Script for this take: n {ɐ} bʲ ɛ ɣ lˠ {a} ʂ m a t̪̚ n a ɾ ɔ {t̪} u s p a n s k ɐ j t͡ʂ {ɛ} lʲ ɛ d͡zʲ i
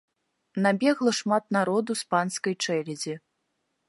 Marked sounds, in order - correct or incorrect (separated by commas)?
incorrect, incorrect, incorrect, correct